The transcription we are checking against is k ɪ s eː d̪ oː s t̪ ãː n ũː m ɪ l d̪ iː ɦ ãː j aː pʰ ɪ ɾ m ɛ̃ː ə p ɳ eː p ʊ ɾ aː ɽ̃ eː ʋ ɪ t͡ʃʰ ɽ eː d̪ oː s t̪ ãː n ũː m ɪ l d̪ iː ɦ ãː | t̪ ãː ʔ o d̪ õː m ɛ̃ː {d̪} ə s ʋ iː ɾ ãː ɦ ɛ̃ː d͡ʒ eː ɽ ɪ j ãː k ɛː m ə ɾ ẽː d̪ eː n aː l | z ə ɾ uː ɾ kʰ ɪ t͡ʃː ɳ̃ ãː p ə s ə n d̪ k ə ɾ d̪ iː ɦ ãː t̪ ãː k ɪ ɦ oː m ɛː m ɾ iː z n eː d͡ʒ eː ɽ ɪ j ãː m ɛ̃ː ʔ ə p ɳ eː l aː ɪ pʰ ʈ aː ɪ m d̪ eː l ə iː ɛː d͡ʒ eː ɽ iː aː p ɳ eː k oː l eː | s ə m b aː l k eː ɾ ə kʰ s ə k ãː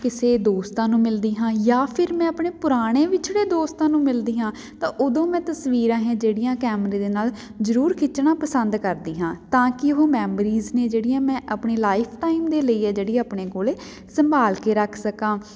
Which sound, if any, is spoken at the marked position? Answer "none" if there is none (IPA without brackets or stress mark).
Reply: t̪